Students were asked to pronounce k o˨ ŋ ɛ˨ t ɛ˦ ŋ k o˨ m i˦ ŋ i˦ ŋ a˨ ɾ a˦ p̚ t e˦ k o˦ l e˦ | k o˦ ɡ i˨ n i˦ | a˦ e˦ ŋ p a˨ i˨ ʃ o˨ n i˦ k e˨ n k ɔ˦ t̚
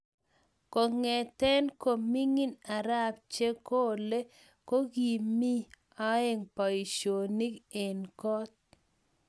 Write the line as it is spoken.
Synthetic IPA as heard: k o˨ ŋ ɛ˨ t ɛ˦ n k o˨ m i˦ ŋ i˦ n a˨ ɾ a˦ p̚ t͡ʃ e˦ k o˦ l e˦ | k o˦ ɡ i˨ m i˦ | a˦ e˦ ŋ p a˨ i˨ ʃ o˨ n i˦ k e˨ n k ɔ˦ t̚

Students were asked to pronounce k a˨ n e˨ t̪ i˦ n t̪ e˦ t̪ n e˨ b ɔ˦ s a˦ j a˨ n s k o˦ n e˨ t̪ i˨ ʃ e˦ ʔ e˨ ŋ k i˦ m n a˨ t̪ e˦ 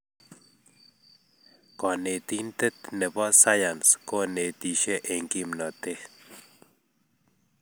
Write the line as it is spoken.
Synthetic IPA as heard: k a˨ n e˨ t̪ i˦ n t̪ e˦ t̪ n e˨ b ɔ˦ s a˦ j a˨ n s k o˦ n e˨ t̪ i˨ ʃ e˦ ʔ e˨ ŋ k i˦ m n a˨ t̪ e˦

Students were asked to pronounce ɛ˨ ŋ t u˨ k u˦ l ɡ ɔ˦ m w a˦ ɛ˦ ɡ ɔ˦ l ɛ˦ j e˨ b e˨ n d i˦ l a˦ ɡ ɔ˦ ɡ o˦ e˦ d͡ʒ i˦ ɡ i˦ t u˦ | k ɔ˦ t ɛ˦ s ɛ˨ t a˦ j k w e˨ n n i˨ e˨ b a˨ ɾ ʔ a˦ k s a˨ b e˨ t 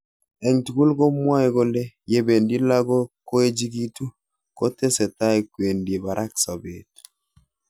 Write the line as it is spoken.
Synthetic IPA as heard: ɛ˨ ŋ t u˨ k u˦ l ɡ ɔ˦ m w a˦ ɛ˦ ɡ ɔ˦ l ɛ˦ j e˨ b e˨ n d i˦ l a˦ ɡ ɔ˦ k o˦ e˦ d͡ʒ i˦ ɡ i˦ t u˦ | k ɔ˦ t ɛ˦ s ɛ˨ t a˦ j k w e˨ n d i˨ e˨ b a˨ ɾ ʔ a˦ k s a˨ b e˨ t

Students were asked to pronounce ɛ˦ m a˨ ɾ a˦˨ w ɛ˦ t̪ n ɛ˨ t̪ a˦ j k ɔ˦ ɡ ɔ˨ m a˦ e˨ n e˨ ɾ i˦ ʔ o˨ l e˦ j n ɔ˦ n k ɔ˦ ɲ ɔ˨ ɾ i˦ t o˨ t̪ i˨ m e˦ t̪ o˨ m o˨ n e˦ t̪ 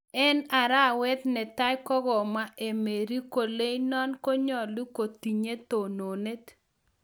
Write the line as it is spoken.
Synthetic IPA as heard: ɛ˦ n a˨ ɾ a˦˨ w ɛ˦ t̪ n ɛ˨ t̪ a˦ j k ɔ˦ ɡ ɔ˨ m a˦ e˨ m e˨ ɾ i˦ k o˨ l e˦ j n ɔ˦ n k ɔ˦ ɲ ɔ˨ l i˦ k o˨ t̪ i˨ ɲ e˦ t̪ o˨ n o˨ n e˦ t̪

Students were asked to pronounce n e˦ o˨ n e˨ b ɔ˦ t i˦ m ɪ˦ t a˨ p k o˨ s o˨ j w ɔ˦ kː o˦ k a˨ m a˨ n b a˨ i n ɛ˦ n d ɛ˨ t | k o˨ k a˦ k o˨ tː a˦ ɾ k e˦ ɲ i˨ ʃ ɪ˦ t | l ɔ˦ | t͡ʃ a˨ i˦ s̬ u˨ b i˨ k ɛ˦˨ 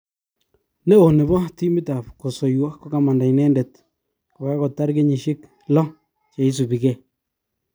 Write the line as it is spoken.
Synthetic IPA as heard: n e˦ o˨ n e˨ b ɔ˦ t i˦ m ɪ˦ t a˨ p k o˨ s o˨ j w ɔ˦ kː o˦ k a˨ m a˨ n d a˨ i n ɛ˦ n d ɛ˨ t | k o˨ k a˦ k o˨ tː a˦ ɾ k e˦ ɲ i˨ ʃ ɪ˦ k | l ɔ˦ | t͡ʃ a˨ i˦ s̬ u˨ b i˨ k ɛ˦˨

